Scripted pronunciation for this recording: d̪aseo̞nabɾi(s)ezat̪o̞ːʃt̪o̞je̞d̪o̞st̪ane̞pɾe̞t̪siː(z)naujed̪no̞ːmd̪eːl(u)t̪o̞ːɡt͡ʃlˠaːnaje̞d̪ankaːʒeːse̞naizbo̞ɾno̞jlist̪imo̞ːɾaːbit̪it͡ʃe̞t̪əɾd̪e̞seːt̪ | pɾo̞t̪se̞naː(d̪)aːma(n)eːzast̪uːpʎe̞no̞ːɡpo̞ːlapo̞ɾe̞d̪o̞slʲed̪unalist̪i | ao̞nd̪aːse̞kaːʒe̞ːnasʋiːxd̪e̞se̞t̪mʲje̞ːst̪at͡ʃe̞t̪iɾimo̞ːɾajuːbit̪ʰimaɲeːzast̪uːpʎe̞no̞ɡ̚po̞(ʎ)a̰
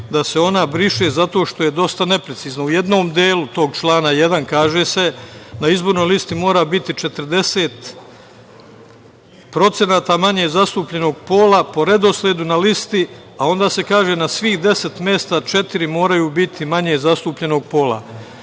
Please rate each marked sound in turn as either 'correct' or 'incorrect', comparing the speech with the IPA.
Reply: incorrect: ʃ, correct, correct, incorrect: t̪, incorrect: ɲ, incorrect: l

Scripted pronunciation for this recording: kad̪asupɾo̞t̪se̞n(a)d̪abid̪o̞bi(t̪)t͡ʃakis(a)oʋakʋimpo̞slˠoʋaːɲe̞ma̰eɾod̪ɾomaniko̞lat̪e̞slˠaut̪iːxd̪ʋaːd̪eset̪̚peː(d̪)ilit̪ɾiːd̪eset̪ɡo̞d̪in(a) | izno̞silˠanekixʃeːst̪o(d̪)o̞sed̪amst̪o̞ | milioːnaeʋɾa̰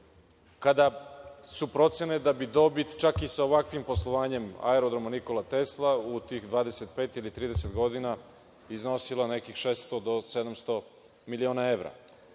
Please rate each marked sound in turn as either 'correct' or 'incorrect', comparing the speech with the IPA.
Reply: incorrect: e, correct, correct, incorrect: t̪, correct, correct

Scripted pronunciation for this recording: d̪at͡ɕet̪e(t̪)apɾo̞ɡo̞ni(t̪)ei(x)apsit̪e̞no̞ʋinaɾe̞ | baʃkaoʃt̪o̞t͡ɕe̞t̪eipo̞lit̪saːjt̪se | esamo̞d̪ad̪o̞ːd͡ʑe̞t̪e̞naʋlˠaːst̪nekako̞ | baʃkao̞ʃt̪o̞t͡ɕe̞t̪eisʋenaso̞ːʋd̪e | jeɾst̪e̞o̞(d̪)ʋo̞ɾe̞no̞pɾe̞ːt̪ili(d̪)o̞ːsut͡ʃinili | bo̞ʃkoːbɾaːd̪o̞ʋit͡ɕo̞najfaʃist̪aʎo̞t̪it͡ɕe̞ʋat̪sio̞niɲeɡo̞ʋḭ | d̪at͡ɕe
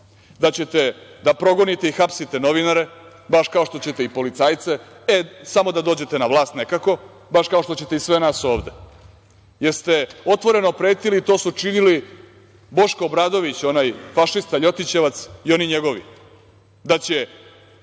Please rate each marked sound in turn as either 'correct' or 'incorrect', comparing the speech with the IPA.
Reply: incorrect: d̪, correct, correct, incorrect: t̪, incorrect: t̪

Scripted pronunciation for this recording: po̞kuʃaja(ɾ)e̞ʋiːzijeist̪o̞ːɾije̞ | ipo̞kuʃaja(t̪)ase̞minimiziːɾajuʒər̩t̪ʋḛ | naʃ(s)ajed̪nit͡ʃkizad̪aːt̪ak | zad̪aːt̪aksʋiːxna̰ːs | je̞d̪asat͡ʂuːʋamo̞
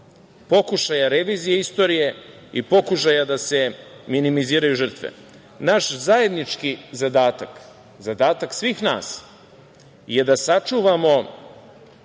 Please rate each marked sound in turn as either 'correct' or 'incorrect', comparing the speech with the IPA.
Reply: correct, incorrect: d̪, incorrect: z

